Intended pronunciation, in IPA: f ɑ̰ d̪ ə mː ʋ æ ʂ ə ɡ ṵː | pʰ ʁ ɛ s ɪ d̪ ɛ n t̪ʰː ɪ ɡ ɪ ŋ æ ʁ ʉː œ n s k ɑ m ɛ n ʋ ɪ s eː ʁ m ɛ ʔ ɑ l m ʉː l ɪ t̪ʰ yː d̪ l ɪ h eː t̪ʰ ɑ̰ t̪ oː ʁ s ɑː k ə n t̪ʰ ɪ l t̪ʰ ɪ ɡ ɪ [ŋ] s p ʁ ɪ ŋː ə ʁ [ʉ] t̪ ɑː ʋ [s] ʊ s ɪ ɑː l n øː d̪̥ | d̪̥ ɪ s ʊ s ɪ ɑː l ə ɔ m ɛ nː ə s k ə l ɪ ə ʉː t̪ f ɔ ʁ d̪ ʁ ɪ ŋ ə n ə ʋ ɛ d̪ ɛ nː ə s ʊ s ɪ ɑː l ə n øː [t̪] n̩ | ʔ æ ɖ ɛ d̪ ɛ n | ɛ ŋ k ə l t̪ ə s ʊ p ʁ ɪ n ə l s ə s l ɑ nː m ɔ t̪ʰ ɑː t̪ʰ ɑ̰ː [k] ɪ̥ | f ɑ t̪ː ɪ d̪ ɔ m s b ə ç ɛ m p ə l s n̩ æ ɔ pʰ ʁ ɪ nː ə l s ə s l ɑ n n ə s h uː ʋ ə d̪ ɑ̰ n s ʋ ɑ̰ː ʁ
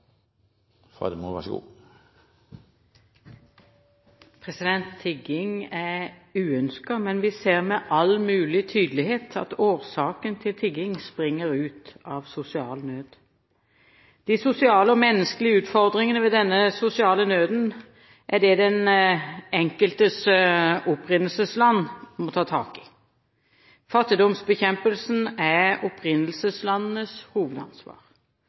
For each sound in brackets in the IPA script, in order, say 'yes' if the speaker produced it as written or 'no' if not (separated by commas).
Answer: yes, no, yes, no, yes